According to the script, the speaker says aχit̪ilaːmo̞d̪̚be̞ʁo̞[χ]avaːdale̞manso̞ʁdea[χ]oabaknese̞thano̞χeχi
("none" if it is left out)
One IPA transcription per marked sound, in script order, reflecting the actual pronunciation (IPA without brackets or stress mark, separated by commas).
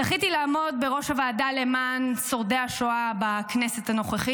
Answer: ʃ, ʃ